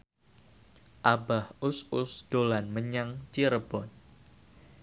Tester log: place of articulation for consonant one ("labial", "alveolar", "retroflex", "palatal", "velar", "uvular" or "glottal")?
glottal